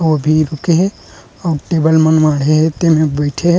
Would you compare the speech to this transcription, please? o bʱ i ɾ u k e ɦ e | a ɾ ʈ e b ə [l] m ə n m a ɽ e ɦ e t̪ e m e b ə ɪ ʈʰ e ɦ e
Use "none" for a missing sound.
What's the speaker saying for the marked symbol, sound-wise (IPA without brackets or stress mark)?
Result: l